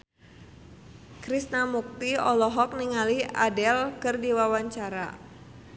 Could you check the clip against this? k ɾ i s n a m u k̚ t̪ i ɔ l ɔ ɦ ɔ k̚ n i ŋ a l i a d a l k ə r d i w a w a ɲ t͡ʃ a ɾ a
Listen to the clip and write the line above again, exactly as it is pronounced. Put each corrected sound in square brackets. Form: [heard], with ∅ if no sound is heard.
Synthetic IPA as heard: k ɾ i s n a m u k̚ t̪ i ɔ l ɔ ɦ ɔ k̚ n i ŋ a l i a d [ɛ] l k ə r d i w a w a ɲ t͡ʃ a ɾ a